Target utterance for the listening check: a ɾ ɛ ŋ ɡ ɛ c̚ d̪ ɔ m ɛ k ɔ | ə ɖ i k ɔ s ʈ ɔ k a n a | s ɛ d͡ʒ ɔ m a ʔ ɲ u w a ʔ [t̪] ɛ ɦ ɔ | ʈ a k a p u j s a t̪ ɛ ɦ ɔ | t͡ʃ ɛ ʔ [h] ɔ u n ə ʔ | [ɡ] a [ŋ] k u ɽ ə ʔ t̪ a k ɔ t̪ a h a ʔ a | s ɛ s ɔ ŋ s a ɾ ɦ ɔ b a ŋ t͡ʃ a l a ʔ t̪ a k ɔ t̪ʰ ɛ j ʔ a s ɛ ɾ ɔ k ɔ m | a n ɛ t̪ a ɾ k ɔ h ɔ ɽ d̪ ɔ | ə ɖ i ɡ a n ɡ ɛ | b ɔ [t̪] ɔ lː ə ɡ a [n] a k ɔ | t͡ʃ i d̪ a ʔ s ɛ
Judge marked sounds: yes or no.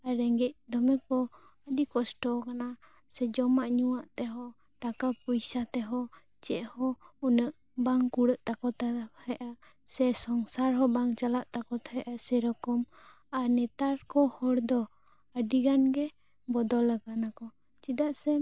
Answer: yes, yes, no, yes, no, yes

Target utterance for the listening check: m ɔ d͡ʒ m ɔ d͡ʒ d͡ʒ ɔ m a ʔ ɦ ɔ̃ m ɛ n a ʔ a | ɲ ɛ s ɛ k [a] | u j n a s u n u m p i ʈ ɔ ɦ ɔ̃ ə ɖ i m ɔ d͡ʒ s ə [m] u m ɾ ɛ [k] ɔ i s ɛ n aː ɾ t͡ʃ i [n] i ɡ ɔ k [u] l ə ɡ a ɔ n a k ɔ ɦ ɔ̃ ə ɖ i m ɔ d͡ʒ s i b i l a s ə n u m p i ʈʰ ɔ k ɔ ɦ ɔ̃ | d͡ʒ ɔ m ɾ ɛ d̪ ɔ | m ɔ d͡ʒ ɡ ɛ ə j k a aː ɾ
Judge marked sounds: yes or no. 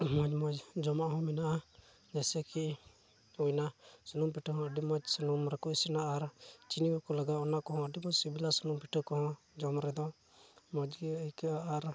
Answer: no, no, yes, yes, no

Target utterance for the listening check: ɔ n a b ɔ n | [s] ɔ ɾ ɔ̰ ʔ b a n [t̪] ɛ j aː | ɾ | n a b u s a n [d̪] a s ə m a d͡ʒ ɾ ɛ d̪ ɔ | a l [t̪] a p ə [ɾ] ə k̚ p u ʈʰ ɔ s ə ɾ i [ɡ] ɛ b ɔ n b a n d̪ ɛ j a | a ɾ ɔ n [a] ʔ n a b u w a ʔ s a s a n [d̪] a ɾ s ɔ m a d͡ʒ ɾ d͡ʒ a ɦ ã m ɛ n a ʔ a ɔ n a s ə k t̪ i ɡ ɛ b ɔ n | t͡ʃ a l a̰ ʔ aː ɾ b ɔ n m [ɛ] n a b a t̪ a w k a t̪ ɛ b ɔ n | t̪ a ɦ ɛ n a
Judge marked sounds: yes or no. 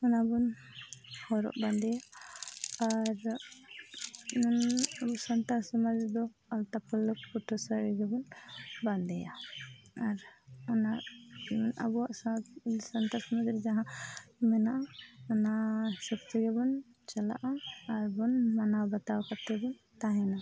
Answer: no, no, no, yes, no, yes, yes, no, no

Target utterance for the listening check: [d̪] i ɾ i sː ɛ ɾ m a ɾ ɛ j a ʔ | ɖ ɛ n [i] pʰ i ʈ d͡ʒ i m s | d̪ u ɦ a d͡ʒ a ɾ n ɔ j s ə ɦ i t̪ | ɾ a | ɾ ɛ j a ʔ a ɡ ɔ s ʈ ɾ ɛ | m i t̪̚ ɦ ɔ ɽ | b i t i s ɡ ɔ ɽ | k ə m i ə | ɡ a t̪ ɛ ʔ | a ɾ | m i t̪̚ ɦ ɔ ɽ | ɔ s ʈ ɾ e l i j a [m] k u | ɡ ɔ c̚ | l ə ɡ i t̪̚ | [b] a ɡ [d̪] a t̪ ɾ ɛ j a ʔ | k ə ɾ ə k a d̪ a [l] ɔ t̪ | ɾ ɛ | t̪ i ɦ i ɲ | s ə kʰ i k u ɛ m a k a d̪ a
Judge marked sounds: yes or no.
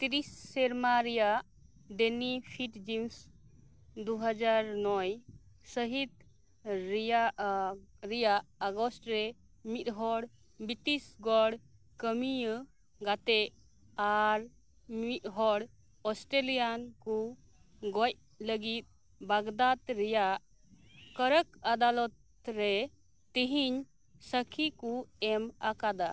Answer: no, yes, no, yes, yes, yes

